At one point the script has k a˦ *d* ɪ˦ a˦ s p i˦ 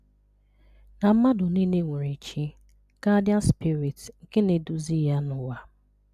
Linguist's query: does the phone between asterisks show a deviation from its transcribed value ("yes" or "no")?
no